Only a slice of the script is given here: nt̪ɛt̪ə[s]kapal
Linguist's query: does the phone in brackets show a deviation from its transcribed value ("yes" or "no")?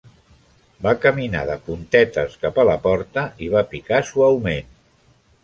no